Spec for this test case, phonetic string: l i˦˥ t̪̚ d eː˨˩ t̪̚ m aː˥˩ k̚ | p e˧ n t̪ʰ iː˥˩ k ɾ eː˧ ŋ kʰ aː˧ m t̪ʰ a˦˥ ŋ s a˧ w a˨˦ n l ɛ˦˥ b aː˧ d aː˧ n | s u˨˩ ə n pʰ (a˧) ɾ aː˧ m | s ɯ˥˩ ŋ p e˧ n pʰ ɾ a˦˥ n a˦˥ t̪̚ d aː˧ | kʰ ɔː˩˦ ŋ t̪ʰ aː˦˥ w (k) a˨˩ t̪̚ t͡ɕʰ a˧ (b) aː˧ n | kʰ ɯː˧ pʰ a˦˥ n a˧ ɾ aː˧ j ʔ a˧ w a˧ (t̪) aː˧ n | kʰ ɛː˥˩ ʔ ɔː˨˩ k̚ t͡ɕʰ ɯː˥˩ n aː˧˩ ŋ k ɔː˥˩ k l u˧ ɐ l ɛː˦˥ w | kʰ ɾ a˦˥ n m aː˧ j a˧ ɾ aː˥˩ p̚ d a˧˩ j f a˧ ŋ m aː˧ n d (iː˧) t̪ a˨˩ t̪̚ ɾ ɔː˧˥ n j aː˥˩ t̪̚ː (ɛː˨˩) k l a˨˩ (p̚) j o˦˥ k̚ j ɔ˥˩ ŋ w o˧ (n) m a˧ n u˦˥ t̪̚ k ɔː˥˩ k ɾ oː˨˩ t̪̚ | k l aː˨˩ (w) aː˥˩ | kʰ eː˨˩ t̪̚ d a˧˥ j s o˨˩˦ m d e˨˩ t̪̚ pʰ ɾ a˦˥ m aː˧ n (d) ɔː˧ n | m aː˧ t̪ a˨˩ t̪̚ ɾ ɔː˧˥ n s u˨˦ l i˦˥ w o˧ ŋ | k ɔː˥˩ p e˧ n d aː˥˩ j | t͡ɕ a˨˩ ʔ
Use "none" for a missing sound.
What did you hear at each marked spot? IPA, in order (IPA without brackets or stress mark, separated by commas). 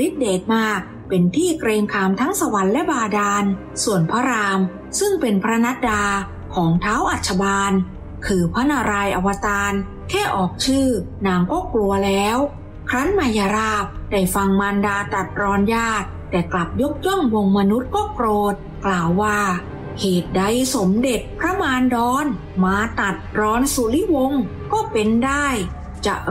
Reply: a˦˥, ʔ, b, t̪, aː˧, ɛː˨˩, p̚, ŋ, wː, d